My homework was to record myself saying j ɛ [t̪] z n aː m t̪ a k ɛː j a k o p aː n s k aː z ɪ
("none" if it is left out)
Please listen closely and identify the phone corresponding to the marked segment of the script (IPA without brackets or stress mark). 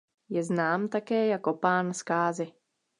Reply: none